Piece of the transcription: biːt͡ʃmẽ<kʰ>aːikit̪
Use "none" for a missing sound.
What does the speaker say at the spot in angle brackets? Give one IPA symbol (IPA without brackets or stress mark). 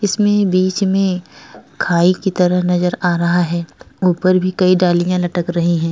kʰ